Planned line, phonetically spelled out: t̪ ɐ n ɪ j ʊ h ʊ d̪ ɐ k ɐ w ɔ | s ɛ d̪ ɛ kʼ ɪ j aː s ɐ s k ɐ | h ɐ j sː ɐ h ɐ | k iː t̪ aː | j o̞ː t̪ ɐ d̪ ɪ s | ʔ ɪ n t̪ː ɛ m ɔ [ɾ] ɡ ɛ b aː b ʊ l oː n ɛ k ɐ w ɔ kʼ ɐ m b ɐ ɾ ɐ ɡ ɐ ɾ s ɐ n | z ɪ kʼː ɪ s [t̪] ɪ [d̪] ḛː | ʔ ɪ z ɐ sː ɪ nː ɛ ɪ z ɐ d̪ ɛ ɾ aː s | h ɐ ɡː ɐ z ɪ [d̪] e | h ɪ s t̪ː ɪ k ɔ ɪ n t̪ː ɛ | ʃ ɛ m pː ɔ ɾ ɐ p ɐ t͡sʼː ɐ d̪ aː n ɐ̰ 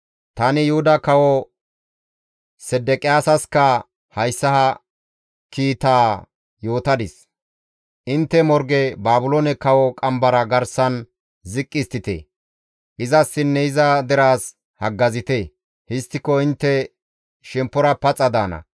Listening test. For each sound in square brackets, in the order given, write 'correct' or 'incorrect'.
correct, correct, incorrect, incorrect

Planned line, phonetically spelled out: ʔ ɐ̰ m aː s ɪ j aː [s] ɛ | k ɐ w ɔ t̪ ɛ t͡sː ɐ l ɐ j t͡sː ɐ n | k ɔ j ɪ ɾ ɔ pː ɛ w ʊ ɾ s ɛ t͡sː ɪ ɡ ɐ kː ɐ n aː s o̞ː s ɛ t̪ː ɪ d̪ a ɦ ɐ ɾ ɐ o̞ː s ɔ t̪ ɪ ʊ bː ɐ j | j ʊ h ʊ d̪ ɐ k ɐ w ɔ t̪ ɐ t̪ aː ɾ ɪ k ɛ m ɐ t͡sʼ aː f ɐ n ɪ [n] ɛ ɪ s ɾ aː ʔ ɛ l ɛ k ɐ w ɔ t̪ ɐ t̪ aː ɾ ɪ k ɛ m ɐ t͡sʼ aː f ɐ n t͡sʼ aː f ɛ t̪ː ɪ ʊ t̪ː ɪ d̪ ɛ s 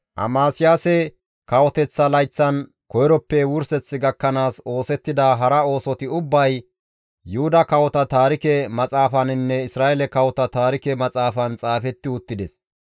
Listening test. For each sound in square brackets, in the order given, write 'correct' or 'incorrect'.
correct, incorrect

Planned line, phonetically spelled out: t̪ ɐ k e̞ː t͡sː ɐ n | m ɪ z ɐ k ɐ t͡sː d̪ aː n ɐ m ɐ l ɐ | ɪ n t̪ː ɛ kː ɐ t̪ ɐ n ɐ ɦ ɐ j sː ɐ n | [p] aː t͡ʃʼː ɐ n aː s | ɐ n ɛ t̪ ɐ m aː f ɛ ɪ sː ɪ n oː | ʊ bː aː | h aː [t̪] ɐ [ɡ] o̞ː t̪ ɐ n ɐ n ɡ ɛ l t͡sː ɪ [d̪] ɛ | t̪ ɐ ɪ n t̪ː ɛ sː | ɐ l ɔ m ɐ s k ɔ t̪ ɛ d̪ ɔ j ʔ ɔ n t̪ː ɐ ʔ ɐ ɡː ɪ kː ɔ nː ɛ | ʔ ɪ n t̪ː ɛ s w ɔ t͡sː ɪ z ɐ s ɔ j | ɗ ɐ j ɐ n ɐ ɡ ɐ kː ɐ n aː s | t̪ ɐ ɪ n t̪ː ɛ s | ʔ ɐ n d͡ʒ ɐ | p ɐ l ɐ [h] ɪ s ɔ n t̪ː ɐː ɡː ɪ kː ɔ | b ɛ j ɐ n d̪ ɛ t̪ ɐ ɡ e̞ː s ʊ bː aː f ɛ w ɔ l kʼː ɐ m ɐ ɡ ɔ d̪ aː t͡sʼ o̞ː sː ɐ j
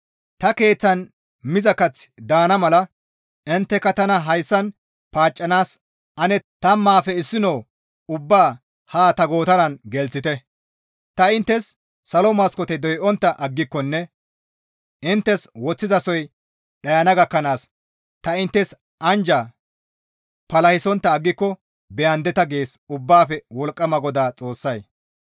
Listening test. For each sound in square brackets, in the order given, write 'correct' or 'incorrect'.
correct, correct, correct, incorrect, correct

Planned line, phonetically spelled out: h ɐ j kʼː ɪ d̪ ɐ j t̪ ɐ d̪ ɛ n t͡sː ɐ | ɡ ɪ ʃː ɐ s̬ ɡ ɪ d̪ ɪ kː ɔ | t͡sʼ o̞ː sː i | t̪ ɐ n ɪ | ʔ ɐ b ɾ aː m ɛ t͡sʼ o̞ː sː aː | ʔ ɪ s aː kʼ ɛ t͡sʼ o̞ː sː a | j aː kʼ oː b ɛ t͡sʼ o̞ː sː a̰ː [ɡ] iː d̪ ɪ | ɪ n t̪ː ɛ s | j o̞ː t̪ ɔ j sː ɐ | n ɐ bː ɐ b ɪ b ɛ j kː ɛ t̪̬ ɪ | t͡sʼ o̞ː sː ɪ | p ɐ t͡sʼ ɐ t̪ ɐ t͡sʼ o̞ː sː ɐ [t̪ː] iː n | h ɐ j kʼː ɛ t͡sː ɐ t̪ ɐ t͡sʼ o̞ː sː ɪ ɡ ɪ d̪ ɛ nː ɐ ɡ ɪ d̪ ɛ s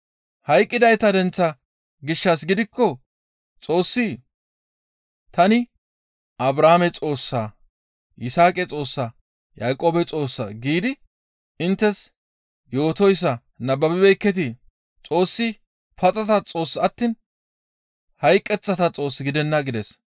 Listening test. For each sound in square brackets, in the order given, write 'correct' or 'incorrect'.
correct, correct

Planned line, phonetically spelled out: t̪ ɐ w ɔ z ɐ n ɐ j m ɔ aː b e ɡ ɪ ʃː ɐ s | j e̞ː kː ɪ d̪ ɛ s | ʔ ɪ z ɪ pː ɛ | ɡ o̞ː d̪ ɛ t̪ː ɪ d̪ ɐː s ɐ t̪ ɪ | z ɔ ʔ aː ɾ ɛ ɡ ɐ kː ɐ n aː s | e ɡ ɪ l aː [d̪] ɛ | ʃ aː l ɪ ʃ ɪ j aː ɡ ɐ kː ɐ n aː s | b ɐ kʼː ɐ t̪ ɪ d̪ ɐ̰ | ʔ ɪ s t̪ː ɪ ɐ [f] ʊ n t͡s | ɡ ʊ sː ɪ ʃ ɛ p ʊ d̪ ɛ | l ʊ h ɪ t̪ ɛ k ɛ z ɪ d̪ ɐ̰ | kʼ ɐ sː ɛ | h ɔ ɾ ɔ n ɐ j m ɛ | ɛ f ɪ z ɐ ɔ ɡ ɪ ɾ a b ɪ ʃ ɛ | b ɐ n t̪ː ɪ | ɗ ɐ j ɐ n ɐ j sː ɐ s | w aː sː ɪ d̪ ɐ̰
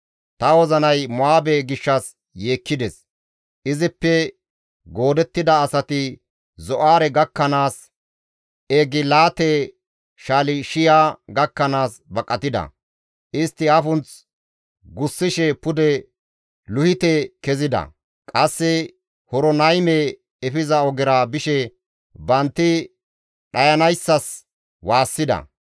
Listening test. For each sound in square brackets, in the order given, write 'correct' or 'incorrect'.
incorrect, correct

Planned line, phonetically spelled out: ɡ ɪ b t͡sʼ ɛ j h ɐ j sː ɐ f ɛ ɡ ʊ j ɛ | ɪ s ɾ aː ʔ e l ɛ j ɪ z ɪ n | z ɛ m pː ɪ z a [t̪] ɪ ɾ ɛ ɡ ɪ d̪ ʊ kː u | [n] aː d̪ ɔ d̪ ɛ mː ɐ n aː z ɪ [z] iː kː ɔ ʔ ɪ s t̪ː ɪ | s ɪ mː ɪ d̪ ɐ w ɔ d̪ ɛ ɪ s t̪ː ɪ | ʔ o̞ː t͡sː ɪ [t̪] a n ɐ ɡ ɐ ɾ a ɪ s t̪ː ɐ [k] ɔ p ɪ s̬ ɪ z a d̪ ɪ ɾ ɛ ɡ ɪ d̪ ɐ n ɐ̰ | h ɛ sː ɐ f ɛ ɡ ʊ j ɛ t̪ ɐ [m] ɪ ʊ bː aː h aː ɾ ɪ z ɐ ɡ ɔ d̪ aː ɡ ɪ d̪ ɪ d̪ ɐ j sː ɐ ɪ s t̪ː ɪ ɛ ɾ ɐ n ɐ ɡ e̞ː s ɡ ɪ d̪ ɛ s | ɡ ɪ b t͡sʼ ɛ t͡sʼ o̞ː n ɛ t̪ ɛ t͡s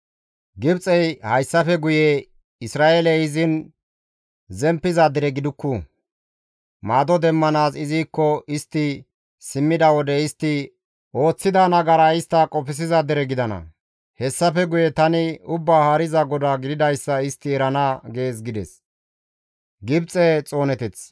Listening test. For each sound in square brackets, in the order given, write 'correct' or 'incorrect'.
incorrect, incorrect, correct, incorrect, incorrect, incorrect

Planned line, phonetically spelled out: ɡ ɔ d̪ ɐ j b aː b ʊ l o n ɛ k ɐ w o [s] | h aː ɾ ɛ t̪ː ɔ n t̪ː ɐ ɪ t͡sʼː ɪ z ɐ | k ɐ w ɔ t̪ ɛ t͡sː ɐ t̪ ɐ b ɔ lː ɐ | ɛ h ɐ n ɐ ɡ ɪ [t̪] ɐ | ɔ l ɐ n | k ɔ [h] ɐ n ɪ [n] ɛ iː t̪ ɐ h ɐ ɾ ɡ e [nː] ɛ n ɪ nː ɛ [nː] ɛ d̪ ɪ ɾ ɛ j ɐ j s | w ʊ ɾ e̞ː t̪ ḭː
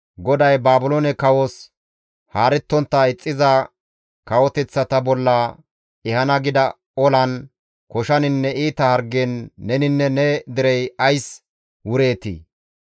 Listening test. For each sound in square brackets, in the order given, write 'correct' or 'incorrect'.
correct, incorrect, incorrect, incorrect, correct, incorrect

